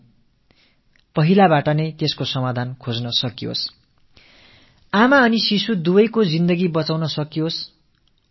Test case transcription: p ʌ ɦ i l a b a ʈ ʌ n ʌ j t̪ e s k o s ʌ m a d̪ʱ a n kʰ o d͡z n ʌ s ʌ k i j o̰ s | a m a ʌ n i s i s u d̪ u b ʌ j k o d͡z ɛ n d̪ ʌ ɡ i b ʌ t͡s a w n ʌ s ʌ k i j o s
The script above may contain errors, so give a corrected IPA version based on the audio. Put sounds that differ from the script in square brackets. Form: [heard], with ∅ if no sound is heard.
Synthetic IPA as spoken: p ʌ ɦ i l a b a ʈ ʌ n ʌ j t̪ e s k o s ʌ m a d̪ʱ a n kʰ o d͡z n ʌ s ʌ k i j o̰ s | a m a ʌ n i s i s u d̪ u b ʌ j k o d͡z [i] n d̪ ʌ ɡ i b ʌ t͡s a w n ʌ s ʌ k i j o s